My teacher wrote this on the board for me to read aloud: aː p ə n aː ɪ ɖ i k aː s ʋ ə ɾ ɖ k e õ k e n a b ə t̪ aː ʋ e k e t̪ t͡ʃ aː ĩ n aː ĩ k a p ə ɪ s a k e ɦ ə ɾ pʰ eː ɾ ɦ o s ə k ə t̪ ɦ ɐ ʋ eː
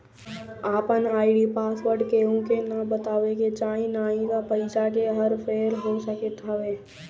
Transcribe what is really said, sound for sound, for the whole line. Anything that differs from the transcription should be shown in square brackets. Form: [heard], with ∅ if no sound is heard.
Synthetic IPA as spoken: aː p ə n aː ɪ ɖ i [p] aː s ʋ ə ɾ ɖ k e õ k e n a b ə t̪ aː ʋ e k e [∅] t͡ʃ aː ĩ n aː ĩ k a p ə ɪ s a k e ɦ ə ɾ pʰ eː ɾ ɦ o s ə k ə t̪ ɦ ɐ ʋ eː

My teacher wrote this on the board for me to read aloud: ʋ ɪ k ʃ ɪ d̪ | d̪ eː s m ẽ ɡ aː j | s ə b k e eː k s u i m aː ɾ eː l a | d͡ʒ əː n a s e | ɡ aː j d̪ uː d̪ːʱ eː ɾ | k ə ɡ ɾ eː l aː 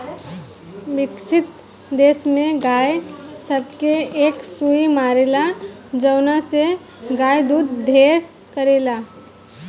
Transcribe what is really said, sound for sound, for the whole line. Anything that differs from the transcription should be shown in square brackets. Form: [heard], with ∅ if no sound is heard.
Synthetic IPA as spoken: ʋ ɪ k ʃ ɪ [t̪] | d̪ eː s m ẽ ɡ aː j | s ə b k e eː k s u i m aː ɾ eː l a | d͡ʒ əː n a s e | ɡ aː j d̪ uː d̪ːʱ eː ɾ | k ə [∅] ɾ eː l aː

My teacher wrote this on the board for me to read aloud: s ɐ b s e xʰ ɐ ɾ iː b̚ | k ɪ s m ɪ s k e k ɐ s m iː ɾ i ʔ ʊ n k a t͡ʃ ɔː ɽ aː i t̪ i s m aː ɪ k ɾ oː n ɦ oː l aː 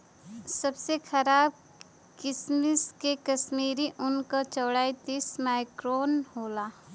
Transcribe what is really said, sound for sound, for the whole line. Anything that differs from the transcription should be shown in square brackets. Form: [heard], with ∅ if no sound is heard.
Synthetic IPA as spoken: s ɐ b s e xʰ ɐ ɾ [aː] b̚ | k ɪ s m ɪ s k e k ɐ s m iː ɾ i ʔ ʊ n k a t͡ʃ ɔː ɽ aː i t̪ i s m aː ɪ k ɾ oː n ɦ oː l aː

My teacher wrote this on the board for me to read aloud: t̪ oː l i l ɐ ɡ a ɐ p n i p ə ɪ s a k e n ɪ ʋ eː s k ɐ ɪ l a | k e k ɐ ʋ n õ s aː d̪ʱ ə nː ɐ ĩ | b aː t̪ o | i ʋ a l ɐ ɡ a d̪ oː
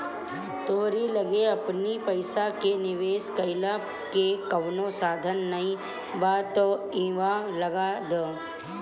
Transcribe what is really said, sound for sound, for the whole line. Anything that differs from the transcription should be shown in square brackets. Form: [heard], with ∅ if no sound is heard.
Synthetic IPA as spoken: t̪ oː [ɾ] i l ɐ ɡ [e] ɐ p n i p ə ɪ s a k e n ɪ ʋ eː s k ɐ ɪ l a | k e k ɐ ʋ n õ s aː d̪ʱ ə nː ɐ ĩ | b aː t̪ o | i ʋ a l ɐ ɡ a d̪ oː

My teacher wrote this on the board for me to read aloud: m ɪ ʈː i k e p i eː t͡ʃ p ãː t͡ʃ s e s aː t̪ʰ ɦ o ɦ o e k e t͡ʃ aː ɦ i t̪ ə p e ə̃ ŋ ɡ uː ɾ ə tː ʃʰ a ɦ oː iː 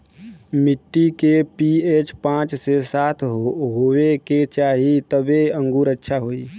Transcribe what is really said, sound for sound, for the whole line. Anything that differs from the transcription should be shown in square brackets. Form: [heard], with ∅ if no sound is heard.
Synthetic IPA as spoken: m ɪ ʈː i k e p i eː t͡ʃ p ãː t͡ʃ s e s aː t̪ʰ ɦ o ɦ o e k e t͡ʃ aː ɦ i t̪ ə [b] e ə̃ ŋ ɡ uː ɾ ə tː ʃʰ a ɦ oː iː

